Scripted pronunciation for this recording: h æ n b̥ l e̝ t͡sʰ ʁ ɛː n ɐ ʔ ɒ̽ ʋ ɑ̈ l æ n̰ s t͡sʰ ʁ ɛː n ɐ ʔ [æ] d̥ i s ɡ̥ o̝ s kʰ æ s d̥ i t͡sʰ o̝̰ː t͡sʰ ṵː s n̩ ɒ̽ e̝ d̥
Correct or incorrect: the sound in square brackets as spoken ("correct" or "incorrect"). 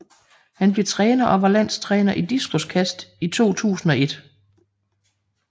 incorrect